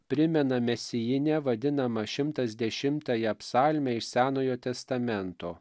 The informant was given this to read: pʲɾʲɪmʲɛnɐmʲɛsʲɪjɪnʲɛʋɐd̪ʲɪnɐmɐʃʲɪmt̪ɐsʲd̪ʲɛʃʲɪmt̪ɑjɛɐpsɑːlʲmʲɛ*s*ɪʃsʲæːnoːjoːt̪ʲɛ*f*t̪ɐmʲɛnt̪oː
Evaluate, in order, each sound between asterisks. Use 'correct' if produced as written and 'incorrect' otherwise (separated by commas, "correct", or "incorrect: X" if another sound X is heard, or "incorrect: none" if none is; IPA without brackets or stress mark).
incorrect: none, incorrect: s